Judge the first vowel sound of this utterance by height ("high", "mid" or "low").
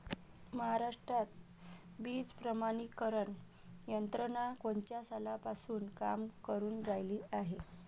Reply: mid